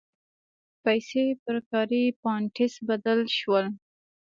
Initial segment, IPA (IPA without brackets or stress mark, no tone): p